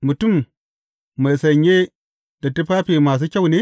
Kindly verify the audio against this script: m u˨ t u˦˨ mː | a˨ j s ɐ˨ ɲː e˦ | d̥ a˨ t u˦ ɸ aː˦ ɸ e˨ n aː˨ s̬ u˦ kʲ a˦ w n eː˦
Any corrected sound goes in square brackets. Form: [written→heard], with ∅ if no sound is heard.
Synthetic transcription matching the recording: m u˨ t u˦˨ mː | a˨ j s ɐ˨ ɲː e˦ | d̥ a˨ t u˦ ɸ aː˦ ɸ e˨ [n→m] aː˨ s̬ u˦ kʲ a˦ w n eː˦